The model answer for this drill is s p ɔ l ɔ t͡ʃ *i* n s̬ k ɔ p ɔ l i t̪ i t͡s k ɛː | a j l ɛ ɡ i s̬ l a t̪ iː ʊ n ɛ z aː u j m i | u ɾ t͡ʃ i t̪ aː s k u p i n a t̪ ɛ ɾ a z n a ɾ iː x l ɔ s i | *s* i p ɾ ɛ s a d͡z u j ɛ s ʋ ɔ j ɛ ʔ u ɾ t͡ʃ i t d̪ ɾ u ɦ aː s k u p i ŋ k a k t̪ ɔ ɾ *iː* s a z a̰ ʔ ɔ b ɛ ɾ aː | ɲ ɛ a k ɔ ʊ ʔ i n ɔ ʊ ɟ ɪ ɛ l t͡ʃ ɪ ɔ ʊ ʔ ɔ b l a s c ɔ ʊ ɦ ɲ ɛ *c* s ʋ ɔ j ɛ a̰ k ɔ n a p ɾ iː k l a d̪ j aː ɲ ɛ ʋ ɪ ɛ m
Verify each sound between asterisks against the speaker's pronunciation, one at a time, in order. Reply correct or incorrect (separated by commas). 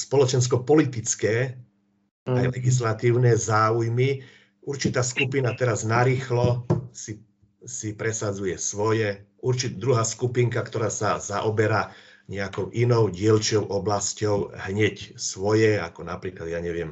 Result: incorrect, correct, incorrect, correct